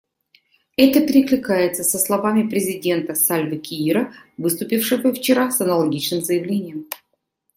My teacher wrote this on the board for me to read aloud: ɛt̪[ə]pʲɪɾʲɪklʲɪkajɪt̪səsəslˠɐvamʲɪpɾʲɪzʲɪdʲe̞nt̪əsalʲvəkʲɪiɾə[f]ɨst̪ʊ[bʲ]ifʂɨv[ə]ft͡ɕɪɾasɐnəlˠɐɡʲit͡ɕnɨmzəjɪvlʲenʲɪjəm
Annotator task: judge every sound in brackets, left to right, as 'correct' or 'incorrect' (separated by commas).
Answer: correct, incorrect, incorrect, correct